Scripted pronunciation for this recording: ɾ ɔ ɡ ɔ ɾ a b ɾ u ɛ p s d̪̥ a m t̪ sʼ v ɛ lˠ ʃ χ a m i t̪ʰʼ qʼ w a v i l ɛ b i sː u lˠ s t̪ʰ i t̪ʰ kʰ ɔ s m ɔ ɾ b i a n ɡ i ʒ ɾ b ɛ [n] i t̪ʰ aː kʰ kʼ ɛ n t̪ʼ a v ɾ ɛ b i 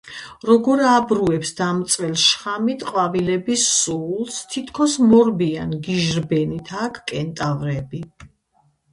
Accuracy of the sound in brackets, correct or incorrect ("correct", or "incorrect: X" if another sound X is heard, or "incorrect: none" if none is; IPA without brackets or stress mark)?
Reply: correct